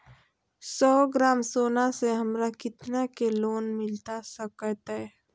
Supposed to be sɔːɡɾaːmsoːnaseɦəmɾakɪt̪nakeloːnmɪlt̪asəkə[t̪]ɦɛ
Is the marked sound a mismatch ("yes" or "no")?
no